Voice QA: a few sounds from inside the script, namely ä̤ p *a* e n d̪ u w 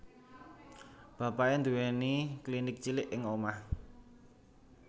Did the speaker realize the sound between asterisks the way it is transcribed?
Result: yes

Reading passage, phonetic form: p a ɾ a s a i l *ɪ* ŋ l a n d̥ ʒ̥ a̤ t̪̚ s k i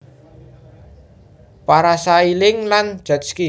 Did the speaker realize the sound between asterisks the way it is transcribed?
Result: yes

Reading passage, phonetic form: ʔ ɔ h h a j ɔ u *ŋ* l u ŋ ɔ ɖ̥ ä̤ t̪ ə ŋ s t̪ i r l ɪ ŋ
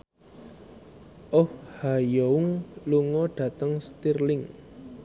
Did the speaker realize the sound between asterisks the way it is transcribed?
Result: yes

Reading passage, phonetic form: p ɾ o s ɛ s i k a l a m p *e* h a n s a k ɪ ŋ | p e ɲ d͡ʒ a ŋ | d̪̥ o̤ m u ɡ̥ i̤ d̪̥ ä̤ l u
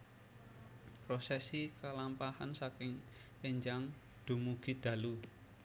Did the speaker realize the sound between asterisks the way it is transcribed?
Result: no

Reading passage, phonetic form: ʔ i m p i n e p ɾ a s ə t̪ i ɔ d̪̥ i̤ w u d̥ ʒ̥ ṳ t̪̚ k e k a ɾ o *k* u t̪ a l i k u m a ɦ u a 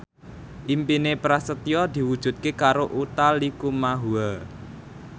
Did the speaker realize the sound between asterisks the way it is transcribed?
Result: no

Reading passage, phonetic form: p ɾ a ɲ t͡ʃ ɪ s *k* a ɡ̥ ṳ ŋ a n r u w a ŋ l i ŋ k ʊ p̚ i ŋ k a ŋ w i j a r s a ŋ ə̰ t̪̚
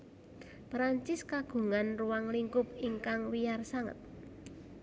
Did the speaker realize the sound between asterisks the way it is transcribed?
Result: yes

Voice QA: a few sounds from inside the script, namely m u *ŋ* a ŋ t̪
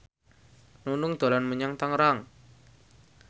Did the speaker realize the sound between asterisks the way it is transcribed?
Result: no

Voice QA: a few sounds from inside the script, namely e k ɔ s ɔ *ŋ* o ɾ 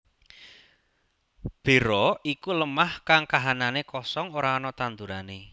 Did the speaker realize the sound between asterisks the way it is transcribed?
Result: yes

